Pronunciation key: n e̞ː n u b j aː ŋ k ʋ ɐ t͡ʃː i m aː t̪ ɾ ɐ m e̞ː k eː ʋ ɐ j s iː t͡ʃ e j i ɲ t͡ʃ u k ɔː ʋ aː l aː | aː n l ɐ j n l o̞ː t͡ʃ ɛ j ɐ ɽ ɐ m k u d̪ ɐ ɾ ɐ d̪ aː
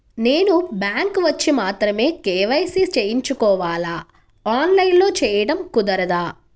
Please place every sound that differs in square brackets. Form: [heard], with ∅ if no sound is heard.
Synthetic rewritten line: n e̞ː n u b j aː ŋ k ʋ ɐ t͡ʃː i m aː t̪ ɾ ɐ m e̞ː k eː ʋ ɐ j s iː t͡ʃ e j i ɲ t͡ʃ u k ɔː ʋ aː l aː | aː n l ɐ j n l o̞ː t͡ʃ [ɛː] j ɐ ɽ ɐ m k u d̪ ɐ ɾ ɐ d̪ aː